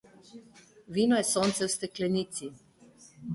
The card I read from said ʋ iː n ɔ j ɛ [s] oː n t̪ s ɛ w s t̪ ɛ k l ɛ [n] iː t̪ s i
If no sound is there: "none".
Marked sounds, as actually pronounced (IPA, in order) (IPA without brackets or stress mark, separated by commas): s, n